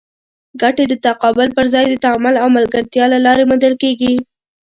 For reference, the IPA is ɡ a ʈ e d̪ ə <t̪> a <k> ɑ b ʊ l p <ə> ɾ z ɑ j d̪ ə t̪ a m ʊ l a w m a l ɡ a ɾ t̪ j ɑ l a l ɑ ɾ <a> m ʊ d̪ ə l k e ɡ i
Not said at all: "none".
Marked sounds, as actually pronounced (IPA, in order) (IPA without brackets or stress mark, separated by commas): t̪, q, ə, e